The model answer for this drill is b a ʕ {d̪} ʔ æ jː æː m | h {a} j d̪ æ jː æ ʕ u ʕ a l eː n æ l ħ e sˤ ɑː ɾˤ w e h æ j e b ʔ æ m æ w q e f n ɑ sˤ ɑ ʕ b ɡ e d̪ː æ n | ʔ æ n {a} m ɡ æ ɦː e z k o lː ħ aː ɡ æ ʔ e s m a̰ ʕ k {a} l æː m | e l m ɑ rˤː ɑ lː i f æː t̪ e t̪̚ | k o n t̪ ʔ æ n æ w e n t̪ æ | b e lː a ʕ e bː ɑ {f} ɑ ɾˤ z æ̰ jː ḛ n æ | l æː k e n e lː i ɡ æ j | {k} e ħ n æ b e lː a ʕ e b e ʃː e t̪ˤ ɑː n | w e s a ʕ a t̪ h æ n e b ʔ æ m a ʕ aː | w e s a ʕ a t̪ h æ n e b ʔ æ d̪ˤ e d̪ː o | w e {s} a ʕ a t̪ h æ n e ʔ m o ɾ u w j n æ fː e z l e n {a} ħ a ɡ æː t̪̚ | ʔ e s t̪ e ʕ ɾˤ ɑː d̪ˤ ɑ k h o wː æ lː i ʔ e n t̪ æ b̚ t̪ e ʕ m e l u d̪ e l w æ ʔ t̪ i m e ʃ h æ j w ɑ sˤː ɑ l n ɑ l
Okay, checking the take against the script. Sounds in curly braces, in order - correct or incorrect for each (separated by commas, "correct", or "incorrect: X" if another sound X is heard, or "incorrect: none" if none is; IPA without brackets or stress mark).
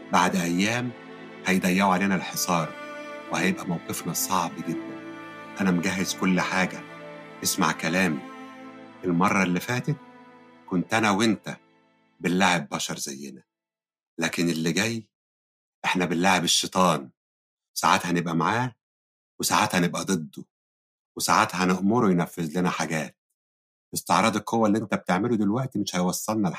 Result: correct, incorrect: æ, incorrect: æ, incorrect: æ, incorrect: ʃ, incorrect: ʔ, correct, incorrect: æ